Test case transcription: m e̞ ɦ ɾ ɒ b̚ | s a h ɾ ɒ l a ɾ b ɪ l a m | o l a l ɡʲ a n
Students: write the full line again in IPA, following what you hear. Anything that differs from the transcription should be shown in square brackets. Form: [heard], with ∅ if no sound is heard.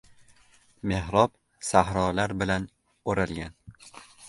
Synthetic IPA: m e̞ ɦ ɾ ɒ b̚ | s a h ɾ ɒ l a ɾ b ɪ l a [n] | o [ɾ] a l ɡʲ a n